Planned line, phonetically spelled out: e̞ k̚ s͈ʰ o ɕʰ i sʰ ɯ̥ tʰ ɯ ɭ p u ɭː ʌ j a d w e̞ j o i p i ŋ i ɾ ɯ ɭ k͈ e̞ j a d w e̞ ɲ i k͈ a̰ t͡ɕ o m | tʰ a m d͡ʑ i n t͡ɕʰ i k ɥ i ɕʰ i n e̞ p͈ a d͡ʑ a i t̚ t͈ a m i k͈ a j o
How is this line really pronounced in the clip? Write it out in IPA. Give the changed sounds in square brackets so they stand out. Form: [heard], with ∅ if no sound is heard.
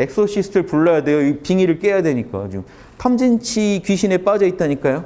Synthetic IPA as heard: e̞ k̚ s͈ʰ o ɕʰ i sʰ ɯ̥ tʰ ɯ ɭ p u ɭː ʌ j a d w e̞ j o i p i ŋ i ɾ ɯ ɭ k͈ e̞ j a d w e̞ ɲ i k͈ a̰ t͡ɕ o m | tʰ a m d͡ʑ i n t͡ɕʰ i k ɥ i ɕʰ i n e̞ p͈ a d͡ʑ [ʌ] i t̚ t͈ a [ɲ] i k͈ a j o